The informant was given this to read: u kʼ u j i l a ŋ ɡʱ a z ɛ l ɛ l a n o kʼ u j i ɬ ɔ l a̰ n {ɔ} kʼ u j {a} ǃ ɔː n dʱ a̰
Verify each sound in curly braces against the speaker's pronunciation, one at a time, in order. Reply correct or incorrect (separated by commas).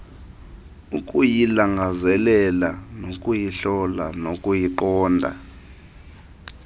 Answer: incorrect, incorrect